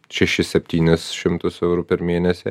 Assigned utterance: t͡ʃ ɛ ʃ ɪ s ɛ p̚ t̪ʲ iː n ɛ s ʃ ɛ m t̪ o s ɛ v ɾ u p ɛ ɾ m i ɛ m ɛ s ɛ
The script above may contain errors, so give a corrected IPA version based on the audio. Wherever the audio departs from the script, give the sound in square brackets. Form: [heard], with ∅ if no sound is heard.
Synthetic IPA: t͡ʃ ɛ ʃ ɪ s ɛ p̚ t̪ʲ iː n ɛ s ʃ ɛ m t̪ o s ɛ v ɾ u p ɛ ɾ m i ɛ [n] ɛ s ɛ